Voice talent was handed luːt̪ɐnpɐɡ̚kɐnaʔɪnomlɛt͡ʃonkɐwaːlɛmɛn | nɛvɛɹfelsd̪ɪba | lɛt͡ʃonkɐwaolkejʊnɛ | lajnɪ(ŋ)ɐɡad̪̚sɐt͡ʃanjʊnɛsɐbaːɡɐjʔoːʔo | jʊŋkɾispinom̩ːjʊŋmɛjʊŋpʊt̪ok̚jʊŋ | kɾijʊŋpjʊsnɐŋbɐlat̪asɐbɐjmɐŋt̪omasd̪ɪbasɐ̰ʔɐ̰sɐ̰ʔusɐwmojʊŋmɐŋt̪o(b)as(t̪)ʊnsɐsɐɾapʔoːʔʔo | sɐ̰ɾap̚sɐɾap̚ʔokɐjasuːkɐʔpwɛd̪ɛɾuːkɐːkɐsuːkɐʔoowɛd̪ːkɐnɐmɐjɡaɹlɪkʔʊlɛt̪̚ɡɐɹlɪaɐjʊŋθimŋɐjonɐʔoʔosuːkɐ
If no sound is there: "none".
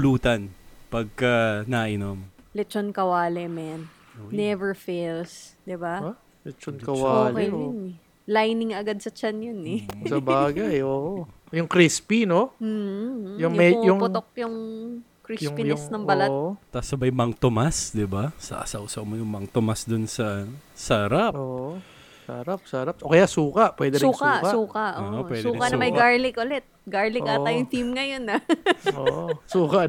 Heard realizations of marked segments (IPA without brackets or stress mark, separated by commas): ŋ, m, d̪